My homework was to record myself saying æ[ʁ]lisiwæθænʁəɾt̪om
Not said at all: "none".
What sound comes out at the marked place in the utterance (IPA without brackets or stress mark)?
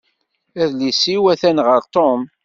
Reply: ð